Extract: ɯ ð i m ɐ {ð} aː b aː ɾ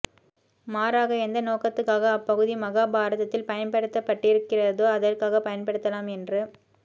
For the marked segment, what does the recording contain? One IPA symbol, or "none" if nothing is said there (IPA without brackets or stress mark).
ɣ